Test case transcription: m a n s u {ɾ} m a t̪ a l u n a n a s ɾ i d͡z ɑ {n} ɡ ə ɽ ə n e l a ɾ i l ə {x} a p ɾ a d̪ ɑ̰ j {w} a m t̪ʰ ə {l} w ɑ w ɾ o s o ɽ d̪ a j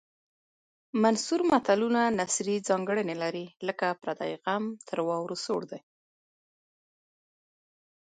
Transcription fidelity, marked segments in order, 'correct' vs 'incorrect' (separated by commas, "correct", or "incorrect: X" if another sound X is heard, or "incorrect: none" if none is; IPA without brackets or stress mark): correct, incorrect: ŋ, incorrect: k, incorrect: ɣ, incorrect: ɾ